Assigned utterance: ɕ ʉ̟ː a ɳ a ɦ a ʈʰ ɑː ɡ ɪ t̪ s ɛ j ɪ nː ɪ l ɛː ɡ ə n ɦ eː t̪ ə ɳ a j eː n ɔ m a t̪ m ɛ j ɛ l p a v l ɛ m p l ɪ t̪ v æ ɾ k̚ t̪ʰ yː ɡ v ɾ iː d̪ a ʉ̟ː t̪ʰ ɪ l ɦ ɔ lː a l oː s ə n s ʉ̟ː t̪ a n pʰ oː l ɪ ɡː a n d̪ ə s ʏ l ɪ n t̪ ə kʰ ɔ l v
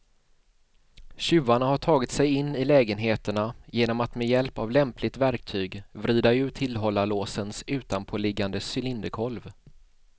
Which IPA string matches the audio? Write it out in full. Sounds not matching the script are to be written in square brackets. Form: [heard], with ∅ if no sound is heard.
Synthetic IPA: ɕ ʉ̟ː a ɳ a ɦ a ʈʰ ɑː ɡ ɪ t̪ s ɛ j ɪ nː ɪ l ɛː ɡ ə n ɦ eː t̪ ə ɳ a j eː n ɔ m a t̪ m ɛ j ɛ l p a v l ɛ m p l ɪ t̪ v æ ɾ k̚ t̪ʰ yː ɡ v ɾ iː d̪ a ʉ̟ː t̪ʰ ɪ l ɦ ɔ lː a l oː s ə n s ʉ̟ː t̪ a n pʰ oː l ɪ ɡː a n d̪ ə s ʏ l ɪ n [d̪] ə kʰ ɔ l v